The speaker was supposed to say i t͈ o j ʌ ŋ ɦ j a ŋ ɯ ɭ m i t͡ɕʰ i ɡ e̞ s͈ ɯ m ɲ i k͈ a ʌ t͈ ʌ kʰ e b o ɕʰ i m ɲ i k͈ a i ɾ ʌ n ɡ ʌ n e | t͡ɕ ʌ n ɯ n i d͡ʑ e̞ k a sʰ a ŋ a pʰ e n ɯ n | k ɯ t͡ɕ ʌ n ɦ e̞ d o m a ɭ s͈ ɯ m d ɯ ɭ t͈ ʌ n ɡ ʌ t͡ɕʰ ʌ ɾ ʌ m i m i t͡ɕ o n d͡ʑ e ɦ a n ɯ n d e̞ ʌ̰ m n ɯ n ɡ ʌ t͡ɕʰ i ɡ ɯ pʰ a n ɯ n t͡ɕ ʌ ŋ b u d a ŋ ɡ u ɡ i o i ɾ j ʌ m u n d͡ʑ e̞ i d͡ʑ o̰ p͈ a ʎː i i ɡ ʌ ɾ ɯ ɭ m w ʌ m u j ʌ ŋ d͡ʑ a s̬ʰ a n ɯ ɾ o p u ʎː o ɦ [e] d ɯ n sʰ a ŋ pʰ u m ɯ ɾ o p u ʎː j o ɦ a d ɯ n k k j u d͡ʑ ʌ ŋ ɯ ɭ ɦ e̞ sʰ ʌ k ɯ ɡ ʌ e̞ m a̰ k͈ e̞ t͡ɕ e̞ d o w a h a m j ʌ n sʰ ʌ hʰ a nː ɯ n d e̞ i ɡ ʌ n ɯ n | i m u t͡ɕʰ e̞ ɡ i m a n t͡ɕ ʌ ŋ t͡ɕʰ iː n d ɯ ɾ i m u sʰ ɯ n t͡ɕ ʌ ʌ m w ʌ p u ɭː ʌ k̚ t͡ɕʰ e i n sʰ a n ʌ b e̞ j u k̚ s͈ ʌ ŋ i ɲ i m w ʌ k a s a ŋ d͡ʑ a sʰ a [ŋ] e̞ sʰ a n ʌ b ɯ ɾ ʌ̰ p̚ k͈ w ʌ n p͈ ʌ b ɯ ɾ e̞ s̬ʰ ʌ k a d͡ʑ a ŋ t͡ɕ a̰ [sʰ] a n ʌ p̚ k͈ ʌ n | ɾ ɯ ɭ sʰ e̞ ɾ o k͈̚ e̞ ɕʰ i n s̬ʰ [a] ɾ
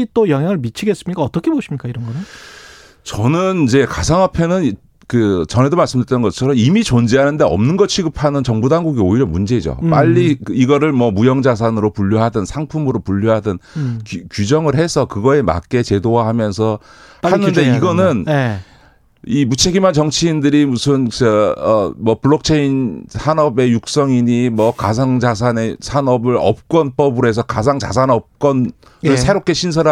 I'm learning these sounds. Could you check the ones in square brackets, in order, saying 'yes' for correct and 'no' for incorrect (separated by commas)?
no, no, yes, no